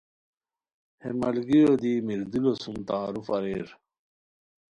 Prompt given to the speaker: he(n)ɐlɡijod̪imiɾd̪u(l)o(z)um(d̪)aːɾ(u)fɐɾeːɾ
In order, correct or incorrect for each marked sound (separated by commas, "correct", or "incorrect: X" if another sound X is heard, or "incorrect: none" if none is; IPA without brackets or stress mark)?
incorrect: m, correct, incorrect: s, incorrect: t̪, correct